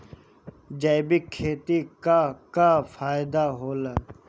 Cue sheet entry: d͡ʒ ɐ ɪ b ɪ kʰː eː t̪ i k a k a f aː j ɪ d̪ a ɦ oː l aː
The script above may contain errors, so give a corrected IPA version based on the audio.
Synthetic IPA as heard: d͡ʒ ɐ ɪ b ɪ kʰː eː t̪ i k a k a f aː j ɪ d̪ a ɦ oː l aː